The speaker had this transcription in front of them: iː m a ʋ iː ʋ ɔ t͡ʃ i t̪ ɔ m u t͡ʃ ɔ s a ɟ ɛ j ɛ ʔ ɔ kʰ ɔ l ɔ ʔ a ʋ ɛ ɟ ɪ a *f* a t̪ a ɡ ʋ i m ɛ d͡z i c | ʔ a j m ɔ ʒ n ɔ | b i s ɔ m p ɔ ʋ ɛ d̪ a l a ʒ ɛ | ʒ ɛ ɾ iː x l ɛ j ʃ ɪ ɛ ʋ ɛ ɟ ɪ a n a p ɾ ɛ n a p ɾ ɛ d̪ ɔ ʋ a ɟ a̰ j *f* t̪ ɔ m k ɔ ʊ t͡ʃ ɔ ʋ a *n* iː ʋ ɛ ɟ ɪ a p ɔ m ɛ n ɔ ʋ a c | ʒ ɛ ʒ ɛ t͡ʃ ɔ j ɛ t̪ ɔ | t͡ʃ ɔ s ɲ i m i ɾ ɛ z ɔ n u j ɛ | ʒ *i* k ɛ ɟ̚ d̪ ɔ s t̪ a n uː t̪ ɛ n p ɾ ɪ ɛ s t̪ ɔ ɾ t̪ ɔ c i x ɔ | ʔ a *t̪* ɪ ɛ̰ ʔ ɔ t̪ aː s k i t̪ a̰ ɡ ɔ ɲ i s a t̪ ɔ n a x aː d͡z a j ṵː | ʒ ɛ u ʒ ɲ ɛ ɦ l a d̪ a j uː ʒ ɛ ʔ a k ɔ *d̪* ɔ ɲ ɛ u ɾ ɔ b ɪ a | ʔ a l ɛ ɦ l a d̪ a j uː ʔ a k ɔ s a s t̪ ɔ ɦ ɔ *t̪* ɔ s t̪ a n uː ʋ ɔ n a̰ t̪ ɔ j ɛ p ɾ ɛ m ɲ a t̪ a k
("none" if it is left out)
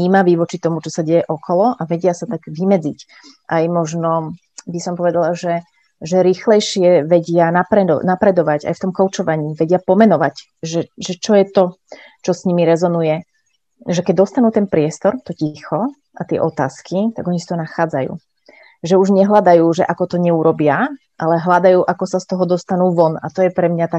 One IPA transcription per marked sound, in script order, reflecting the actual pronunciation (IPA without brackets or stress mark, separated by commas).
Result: s, f, ɲ, ɛ, t̪, t̪, d̪